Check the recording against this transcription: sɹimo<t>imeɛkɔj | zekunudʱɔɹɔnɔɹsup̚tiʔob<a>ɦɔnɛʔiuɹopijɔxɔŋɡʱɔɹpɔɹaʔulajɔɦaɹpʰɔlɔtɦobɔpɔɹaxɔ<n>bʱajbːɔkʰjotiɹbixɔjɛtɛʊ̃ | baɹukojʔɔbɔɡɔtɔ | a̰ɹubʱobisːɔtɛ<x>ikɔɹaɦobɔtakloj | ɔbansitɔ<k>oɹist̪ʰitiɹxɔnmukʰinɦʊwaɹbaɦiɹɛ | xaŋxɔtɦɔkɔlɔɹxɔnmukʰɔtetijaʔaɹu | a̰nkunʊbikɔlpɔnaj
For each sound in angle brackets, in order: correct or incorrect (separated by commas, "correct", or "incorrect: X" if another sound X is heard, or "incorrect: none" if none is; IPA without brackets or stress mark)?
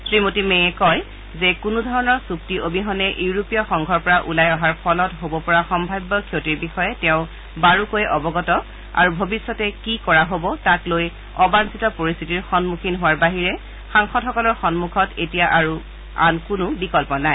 correct, incorrect: i, incorrect: m, incorrect: k, incorrect: p